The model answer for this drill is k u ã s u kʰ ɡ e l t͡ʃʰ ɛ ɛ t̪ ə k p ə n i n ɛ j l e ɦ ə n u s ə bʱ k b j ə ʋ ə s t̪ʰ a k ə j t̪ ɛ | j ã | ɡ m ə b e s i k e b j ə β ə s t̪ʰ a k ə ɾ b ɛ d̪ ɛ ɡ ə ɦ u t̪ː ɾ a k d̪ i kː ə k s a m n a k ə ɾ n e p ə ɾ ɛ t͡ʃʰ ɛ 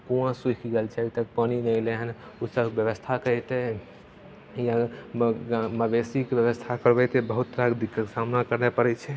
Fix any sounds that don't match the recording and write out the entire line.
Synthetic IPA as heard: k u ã s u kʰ ɡ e l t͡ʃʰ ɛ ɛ t̪ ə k p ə n i n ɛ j l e ɦ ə n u s ə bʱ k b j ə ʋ ə s t̪ʰ a k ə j t̪ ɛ | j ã | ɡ m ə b e s i k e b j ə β ə s t̪ʰ a k ə ɾ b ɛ t̪ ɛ b ə ɦ u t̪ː ɾ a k d̪ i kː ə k s a m n a k ə ɾ n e p ə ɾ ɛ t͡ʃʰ ɛ